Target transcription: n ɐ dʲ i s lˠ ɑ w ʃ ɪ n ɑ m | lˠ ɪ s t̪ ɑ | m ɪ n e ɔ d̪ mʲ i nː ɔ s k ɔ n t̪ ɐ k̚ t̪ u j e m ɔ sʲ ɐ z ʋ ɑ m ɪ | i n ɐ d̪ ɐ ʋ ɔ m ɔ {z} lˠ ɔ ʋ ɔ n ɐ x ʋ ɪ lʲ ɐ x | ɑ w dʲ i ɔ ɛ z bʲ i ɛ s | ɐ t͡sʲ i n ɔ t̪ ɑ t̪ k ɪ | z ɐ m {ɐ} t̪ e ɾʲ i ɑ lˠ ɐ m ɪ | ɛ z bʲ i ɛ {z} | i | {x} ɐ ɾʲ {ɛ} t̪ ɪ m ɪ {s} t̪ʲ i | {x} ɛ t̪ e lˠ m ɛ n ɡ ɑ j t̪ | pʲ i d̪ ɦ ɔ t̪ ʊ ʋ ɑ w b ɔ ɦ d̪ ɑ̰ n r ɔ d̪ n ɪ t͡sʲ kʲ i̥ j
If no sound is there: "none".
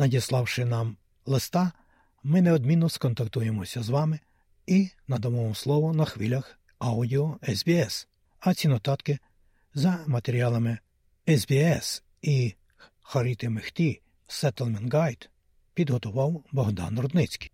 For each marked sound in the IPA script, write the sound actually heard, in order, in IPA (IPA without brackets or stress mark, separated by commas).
s, ɐ, s, x, i, x, s